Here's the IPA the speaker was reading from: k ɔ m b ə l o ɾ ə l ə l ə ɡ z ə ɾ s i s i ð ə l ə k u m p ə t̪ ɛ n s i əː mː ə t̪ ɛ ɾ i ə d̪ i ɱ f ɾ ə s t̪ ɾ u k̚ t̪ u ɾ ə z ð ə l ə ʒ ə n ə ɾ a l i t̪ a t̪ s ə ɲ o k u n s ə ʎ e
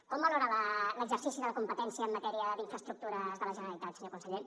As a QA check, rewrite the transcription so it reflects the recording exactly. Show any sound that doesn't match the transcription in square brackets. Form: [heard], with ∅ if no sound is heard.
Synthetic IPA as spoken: k ɔ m b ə l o ɾ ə l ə l ə ɡ z ə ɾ s i s i ð ə l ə k u m p ə t̪ ɛ n s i əː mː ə t̪ ɛ ɾ i ə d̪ i ɱ f ɾ ə s t̪ ɾ u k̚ t̪ u ɾ ə z ð ə l ə ʒ ə n ə ɾ [ə] l i t̪ a t̪ s ə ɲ o k u n s ə ʎ e